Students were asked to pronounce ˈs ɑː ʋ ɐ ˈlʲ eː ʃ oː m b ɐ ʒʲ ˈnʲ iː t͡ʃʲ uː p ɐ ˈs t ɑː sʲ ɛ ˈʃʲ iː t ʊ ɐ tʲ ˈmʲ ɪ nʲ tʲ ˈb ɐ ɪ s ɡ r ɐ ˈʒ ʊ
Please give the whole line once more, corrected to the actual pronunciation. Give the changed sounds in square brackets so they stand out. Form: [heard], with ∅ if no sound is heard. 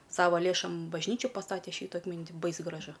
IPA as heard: ˈs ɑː ʋ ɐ ˈlʲ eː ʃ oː m b ɐ ʒʲ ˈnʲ iː t͡ʃʲ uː p ɐ ˈs t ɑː [tʲ] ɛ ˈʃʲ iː t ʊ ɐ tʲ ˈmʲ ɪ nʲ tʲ ˈb ɐ ɪ s ɡ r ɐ ˈʒ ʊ